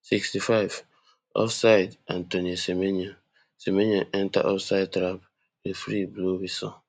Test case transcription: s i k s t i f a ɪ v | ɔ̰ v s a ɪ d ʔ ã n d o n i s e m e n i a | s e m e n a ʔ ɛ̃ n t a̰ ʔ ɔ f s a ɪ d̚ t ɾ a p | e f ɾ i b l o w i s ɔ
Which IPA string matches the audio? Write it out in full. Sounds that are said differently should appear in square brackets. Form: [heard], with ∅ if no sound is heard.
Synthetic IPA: s i k s t i f a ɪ v | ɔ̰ [f] s a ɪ d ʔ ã n [t] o n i s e m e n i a | s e m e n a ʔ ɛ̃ n t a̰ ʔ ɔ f s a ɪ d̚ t ɾ a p | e f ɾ i b l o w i s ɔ